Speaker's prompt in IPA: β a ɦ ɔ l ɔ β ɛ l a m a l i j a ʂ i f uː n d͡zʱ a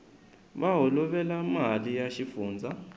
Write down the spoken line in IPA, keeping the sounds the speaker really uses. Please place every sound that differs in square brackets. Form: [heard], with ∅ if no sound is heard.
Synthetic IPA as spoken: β a ɦ ɔ l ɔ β ɛ l a m a l i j a [ʃ] i f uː n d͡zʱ a